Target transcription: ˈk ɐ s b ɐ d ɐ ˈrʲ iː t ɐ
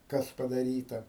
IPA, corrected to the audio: ˈk ɐ s p ɐ d ɐ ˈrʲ iː t ɐ